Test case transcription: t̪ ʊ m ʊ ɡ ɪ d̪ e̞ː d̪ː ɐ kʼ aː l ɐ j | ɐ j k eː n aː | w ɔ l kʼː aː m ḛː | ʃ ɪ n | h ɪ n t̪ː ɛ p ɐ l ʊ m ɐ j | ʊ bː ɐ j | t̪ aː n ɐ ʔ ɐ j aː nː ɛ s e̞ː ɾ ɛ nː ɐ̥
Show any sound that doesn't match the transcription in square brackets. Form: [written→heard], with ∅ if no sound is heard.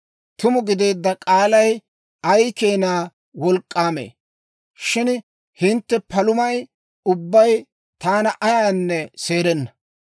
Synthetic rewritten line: t̪ ʊ m ʊ ɡ ɪ d̪ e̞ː d̪ː ɐ kʼ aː l ɐ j | ɐ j k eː n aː | w ɔ l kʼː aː m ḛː | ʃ ɪ n | h ɪ n t̪ː ɛ p ɐ l ʊ m ɐ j | ʊ bː ɐ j | t̪ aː n ɐ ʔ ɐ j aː nː ɛ s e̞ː ɾ ɛ nː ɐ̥